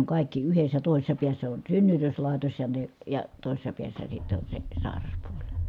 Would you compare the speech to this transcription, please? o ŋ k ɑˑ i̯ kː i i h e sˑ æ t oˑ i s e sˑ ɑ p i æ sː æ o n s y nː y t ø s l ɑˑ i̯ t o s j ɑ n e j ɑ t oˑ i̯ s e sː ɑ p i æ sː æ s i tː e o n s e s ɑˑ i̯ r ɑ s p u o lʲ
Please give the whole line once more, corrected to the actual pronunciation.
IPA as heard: o ŋ k ɑˑ i̯ kː i y h e sˑ æ t oˑ i s e sˑ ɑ p i æ sː æ o n s y nː y t ø s l ɑˑ i̯ t o s j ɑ n e j ɑ t oˑ i̯ s e sː ɑ p i æ sː æ s i tː e o n s e s ɑˑ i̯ r ɑ s p u o lʲ